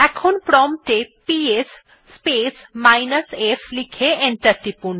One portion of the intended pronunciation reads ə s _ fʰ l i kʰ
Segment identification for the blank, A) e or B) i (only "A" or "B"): A